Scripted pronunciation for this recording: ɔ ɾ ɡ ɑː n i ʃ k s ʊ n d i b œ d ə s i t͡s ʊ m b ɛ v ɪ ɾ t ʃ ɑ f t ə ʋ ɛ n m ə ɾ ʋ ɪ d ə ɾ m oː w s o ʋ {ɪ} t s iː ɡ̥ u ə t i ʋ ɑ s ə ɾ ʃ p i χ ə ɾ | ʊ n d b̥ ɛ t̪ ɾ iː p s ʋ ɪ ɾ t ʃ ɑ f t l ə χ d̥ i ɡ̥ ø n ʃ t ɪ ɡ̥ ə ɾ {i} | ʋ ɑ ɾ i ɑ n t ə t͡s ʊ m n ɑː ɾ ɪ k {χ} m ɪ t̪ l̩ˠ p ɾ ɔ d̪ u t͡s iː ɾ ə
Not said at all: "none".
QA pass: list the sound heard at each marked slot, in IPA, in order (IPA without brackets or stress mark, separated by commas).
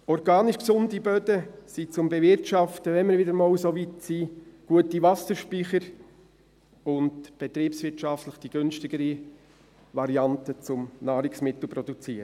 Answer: i, i, s